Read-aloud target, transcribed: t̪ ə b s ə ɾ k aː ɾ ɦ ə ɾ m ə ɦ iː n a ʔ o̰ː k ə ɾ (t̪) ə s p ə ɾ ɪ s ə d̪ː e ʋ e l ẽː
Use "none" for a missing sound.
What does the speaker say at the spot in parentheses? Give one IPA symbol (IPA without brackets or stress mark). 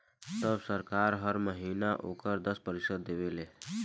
d̪